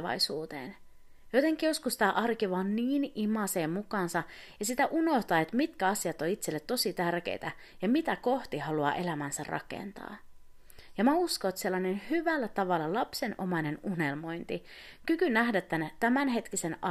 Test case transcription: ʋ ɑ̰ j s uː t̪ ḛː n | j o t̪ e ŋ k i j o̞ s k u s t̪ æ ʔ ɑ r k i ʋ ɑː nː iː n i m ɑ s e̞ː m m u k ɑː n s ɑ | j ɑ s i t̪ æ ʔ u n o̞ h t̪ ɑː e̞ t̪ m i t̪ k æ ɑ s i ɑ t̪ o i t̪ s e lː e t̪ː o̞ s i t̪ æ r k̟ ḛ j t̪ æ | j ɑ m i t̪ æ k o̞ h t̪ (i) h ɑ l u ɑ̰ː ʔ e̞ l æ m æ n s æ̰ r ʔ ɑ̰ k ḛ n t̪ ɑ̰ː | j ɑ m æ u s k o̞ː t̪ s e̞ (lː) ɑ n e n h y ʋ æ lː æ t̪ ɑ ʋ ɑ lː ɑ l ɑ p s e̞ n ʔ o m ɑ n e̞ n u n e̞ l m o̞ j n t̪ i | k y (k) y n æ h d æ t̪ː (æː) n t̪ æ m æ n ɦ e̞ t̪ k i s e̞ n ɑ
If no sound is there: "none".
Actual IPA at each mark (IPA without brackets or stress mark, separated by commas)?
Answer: i, lː, k, æ